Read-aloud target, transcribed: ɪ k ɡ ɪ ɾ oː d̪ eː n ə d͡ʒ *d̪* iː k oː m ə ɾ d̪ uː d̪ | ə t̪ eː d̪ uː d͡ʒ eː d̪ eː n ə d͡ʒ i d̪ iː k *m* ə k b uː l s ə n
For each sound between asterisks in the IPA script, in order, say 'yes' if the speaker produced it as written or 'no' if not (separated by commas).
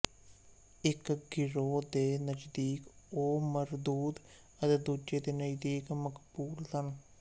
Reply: yes, yes